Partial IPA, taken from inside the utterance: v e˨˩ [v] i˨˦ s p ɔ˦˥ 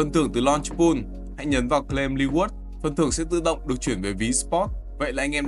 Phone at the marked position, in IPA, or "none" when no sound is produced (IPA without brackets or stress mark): v